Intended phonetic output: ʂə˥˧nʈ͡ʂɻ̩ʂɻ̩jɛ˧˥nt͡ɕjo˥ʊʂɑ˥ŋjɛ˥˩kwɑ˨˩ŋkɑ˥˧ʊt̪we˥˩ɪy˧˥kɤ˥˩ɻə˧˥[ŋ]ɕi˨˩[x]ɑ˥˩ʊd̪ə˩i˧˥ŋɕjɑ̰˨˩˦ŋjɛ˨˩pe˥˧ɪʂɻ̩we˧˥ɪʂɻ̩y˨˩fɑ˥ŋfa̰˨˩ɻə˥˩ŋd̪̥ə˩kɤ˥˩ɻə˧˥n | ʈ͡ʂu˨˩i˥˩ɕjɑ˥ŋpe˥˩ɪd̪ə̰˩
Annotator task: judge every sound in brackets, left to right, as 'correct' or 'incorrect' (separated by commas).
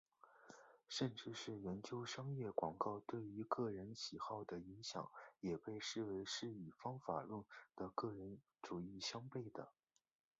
incorrect, correct